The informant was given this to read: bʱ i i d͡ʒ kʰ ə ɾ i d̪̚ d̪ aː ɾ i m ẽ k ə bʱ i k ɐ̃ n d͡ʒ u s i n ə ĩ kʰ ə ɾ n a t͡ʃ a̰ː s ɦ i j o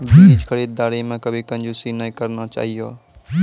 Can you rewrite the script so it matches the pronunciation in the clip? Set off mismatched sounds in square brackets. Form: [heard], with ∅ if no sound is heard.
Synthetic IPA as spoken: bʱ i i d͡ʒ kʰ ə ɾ i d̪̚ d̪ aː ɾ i m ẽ k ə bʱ i k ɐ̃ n d͡ʒ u s i n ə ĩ [k] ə ɾ n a t͡ʃ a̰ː [∅] ɦ i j o